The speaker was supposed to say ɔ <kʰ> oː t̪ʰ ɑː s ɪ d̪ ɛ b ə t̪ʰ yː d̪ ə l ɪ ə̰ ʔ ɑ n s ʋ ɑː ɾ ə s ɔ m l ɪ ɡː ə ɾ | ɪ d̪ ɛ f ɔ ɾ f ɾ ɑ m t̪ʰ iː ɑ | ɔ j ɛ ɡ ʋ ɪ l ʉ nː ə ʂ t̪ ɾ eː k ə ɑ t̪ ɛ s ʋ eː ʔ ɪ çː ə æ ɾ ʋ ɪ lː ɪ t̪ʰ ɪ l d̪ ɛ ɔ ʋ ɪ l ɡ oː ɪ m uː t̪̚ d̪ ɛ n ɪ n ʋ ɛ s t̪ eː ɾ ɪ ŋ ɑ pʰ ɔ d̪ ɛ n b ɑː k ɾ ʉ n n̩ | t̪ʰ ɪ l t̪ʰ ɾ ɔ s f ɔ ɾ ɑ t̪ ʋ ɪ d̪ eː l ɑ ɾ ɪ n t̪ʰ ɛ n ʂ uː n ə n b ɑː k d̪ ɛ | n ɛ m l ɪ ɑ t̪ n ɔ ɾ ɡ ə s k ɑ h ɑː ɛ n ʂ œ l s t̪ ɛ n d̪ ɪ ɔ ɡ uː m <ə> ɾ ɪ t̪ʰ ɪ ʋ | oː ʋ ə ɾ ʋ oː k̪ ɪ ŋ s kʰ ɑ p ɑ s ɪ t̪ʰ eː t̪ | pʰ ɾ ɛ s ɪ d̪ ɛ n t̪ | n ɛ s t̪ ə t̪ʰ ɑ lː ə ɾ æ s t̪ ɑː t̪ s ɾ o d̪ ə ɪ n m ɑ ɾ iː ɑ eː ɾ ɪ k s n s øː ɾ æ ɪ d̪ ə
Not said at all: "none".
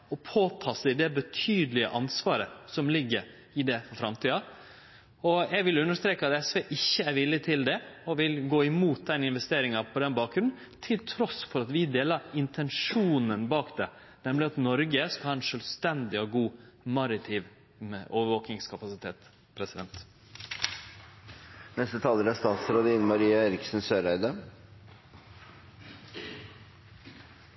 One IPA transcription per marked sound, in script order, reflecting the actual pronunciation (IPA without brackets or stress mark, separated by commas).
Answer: pʰ, ɑ